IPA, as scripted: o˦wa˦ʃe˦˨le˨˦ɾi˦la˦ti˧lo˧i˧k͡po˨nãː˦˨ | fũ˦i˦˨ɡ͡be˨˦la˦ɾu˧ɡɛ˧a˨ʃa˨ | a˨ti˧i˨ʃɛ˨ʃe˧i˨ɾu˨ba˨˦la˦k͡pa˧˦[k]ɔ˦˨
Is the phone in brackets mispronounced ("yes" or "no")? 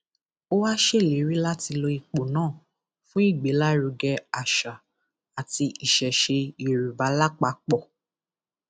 yes